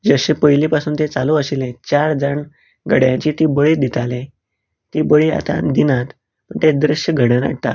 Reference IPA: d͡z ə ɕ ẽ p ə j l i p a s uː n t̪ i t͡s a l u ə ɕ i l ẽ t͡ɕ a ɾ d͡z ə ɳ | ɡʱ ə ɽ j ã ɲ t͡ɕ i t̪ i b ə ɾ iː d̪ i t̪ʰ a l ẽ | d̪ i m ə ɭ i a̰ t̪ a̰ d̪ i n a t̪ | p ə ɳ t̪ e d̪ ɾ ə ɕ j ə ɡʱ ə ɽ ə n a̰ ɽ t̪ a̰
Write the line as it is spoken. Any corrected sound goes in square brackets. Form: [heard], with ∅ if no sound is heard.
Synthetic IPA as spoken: d͡z ə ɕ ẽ p ə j l i p a s uː n t̪ [e] t͡s a l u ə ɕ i l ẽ t͡ɕ a ɾ d͡z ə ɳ | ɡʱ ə ɽ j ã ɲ t͡ɕ i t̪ i b ə [ɭ] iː d̪ i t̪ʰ a l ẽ | [t̪] i [b] ə ɭ i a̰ t̪ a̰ d̪ i n a t̪ | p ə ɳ t̪ e d̪ ɾ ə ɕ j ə ɡʱ ə ɽ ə n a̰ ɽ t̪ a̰